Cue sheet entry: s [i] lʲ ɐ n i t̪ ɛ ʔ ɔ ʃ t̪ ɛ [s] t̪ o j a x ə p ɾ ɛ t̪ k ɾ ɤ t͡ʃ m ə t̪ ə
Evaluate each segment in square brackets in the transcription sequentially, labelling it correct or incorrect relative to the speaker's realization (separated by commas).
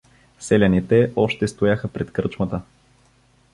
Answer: incorrect, correct